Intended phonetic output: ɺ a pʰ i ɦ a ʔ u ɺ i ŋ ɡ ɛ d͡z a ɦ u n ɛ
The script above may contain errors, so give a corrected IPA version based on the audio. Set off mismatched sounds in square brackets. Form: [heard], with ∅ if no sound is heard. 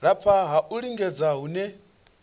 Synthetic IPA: ɺ a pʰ [a] ɦ a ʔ u ɺ i ŋ ɡ ɛ d͡z a ɦ u n ɛ